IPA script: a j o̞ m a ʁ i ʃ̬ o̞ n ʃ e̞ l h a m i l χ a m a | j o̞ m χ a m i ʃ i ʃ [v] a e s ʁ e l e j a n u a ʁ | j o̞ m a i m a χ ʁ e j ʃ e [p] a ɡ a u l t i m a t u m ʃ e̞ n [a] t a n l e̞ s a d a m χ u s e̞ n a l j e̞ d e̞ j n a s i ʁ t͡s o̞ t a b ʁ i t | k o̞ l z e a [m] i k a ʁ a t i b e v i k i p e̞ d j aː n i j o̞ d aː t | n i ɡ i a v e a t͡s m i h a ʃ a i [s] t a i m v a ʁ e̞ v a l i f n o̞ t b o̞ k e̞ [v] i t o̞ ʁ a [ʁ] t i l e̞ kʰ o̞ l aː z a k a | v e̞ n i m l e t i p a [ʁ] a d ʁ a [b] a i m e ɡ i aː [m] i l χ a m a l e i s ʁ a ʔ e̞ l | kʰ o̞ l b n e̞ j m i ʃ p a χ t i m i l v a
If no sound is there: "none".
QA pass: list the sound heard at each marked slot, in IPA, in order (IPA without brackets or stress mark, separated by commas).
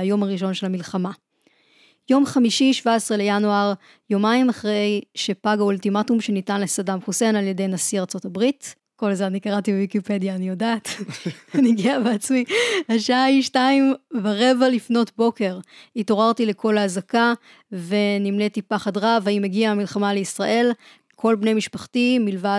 v, p, i, n, ʃ, ʁ, ʁ, χ, v, m